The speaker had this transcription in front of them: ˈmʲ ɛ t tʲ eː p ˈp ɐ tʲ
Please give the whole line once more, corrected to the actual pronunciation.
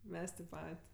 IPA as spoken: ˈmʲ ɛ s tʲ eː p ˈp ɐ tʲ